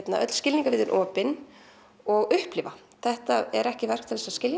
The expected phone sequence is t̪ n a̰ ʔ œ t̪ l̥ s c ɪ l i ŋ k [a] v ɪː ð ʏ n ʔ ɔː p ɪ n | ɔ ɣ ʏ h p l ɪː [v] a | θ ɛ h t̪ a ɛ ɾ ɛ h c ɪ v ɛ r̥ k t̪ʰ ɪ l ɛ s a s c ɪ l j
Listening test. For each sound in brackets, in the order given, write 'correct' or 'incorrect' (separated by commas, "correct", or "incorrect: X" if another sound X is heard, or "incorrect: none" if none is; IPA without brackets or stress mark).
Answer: correct, correct